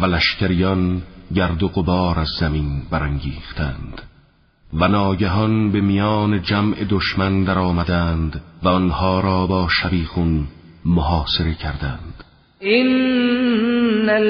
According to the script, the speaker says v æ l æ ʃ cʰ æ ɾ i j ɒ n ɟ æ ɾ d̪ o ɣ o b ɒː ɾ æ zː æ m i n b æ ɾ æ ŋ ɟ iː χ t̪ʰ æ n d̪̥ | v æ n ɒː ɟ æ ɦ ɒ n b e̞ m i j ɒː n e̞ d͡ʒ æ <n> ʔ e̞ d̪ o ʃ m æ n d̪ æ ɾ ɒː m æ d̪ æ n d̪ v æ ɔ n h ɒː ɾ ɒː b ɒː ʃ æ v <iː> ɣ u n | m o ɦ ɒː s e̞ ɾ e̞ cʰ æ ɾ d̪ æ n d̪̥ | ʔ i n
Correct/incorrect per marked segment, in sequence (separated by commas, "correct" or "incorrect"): incorrect, correct